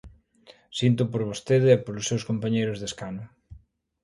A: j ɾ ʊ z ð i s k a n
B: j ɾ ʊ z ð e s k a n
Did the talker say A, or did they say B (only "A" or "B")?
B